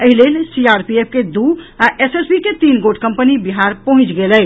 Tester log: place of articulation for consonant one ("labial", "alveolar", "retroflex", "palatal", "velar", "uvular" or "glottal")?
glottal